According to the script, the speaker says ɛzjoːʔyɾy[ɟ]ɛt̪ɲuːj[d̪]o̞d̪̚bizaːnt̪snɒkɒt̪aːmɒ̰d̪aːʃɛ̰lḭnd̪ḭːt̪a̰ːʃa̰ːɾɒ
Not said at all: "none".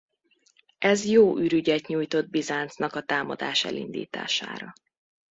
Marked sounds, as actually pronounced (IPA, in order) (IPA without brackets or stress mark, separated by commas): ɟ, t̪